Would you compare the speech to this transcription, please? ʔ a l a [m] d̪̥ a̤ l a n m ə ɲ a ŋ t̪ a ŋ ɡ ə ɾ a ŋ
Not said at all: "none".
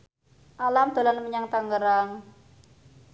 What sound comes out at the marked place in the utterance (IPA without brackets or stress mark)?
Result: m